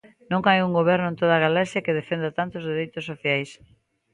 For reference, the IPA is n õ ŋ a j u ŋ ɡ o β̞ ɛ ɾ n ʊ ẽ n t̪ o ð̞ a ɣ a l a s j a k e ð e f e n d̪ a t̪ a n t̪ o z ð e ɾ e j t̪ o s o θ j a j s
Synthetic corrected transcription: n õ ŋ a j u ŋ ɡ o β̞ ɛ ɾ n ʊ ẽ n t̪ o ð̞ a ɣ a l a s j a k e ð e f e n d̪ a t̪ a n t̪ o z ð e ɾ e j t̪ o s o θ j a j s